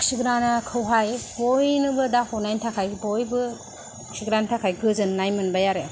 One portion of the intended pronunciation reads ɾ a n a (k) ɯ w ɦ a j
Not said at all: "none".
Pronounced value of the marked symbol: kʰ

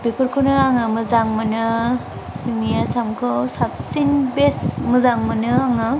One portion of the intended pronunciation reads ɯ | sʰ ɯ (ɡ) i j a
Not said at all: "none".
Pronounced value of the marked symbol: ŋ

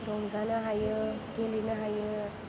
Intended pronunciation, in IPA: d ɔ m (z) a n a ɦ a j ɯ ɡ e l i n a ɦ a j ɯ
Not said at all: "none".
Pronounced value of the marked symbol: z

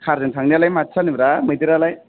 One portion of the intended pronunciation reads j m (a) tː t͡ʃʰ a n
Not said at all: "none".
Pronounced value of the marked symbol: a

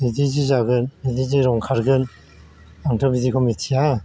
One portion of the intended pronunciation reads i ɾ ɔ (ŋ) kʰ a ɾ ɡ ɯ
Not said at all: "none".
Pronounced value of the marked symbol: ŋ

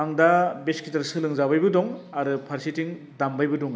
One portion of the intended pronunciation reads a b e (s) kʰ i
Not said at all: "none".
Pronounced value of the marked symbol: s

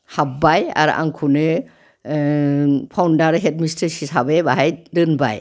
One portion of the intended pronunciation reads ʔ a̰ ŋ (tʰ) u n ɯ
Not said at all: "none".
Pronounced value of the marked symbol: kʰ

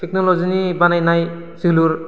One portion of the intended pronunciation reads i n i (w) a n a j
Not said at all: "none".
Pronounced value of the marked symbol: b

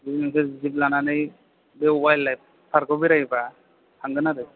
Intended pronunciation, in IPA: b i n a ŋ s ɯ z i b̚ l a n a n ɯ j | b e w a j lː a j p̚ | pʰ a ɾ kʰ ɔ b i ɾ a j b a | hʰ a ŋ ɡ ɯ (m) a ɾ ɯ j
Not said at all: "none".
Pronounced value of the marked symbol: n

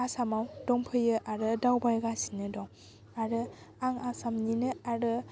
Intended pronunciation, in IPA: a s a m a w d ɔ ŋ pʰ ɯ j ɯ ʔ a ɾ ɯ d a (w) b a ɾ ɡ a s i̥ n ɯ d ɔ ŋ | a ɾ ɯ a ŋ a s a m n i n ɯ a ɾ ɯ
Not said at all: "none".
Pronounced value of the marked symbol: w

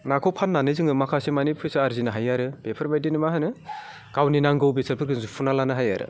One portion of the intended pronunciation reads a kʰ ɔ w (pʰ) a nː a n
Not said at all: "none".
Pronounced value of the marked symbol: pʰ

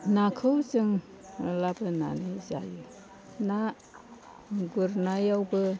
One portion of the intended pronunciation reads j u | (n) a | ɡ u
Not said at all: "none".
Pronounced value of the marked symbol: n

